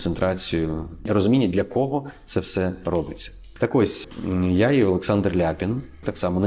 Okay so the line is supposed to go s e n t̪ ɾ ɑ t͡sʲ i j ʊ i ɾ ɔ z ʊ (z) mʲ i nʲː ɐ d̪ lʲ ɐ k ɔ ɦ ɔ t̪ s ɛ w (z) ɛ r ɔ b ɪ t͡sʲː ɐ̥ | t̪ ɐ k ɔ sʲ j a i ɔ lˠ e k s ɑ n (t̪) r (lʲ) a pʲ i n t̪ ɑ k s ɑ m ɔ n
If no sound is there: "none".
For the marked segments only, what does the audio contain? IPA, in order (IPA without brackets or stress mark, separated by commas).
none, s, d̪, lʲ